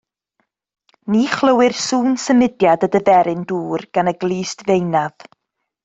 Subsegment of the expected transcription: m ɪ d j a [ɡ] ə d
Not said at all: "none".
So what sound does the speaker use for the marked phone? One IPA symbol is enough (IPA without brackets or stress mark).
d